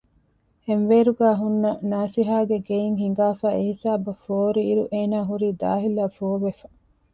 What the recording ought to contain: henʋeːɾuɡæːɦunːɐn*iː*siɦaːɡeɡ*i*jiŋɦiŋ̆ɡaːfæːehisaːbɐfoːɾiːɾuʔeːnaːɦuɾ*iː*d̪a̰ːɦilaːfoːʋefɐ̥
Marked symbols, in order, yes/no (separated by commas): no, no, yes